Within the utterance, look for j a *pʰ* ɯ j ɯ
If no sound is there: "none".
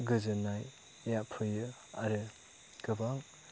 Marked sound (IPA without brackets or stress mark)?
pʰ